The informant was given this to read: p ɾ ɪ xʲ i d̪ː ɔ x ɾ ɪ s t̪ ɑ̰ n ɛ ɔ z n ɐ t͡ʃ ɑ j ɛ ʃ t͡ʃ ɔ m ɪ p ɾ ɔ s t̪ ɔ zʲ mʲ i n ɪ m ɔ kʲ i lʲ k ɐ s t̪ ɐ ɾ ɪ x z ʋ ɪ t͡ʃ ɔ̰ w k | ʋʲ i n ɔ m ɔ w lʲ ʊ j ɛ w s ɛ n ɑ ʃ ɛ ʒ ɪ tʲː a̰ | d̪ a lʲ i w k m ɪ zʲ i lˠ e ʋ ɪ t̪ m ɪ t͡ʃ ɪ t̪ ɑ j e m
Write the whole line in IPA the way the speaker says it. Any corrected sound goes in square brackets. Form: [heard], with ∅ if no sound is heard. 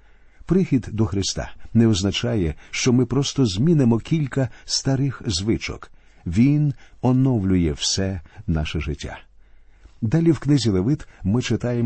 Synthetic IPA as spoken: p ɾ ɪ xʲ i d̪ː ɔ x ɾ ɪ s t̪ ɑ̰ n ɛ ɔ z n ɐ t͡ʃ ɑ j ɛ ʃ t͡ʃ ɔ m ɪ p ɾ ɔ s t̪ ɔ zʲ mʲ i n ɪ m ɔ kʲ i lʲ k ɐ s t̪ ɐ ɾ ɪ x z ʋ ɪ t͡ʃ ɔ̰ [∅] k | ʋʲ i n ɔ [n] ɔ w lʲ ʊ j ɛ w s ɛ n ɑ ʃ ɛ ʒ ɪ tʲː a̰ | d̪ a lʲ i w k [n] ɪ zʲ i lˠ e ʋ ɪ t̪ m ɪ t͡ʃ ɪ t̪ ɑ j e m